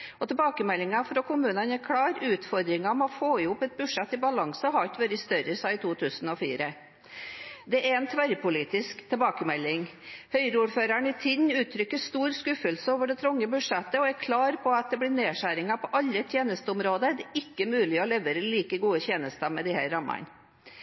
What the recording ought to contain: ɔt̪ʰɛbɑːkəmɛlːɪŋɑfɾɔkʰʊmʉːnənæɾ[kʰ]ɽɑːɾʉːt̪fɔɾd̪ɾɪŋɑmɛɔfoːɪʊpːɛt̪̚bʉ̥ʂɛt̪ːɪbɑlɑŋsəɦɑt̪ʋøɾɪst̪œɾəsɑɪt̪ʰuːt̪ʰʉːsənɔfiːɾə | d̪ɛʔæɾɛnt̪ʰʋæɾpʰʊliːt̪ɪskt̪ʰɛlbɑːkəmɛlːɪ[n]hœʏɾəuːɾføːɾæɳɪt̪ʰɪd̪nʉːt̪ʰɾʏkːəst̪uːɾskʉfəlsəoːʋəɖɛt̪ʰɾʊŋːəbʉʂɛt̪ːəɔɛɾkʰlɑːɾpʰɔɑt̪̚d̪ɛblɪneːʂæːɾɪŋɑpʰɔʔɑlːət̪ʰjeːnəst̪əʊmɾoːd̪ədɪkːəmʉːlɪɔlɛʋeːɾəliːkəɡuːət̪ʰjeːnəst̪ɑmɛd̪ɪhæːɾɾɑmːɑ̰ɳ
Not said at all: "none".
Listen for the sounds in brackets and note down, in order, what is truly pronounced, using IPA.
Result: kʰ, ŋ

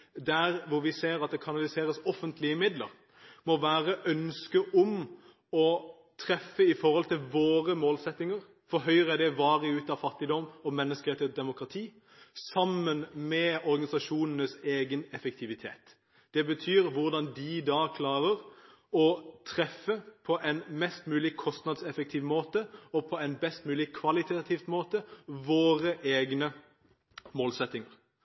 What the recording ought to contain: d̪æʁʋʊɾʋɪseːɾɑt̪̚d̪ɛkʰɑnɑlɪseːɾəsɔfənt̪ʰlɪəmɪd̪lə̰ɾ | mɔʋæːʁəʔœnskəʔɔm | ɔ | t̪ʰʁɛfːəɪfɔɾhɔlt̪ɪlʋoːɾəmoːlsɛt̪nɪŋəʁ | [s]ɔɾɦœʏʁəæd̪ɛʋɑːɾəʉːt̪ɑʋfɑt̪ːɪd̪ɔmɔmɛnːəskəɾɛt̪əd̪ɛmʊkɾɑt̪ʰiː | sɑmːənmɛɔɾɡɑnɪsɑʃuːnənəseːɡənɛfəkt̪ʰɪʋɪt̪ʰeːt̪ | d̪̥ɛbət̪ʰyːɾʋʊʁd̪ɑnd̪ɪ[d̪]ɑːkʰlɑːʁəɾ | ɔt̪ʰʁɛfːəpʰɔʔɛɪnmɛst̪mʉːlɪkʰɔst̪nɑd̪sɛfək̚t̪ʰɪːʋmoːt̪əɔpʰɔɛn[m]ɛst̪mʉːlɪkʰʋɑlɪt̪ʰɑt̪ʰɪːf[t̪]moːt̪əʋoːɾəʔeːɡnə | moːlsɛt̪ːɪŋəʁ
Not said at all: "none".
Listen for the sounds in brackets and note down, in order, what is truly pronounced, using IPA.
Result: f, d̪, b, t̪

